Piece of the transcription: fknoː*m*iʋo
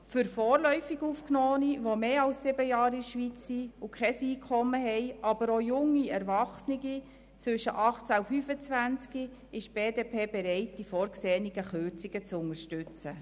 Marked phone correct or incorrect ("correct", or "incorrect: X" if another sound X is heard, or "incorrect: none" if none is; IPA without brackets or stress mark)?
incorrect: n